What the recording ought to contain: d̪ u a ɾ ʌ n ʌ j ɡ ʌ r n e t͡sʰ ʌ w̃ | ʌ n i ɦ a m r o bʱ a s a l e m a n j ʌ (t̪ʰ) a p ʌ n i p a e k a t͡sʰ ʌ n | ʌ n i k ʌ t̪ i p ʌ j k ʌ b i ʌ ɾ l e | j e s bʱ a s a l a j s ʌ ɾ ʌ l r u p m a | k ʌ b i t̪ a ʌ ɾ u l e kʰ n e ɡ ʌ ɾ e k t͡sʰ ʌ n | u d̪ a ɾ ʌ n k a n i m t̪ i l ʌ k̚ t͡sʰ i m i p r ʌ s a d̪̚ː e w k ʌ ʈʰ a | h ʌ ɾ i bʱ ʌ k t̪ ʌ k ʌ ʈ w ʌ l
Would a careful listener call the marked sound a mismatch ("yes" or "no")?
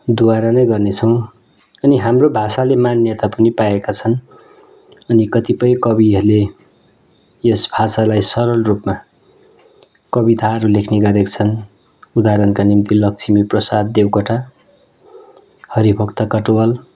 yes